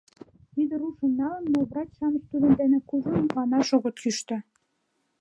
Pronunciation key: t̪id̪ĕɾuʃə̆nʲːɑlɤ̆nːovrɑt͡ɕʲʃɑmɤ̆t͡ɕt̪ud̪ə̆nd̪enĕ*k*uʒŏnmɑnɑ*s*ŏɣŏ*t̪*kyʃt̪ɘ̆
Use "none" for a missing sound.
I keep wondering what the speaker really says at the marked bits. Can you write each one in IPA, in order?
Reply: k, ʃ, t̪

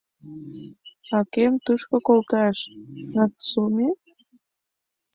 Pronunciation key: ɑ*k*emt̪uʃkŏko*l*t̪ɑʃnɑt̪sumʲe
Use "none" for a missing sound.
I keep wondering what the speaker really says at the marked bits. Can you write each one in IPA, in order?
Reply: k, l

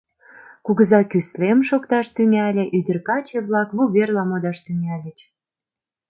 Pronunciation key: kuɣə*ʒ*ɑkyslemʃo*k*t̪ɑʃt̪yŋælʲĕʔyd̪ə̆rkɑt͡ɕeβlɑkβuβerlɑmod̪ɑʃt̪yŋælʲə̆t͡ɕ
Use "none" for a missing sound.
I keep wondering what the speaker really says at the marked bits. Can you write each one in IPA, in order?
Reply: z, k

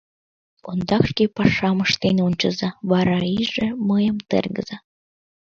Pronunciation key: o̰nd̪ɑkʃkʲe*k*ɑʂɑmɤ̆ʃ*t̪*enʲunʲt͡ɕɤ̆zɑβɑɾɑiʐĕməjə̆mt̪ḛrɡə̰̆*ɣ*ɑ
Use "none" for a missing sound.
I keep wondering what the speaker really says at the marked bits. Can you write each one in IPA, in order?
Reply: p, t̪, z

